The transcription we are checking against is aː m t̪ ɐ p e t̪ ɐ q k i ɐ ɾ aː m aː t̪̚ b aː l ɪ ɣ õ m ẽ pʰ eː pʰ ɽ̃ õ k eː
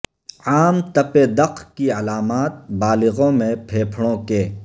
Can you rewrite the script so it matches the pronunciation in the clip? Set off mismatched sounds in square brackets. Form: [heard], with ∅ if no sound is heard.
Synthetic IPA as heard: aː m t̪ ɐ p e [d̪] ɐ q k i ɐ [l] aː m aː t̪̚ b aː l ɪ ɣ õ m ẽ pʰ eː pʰ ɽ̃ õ k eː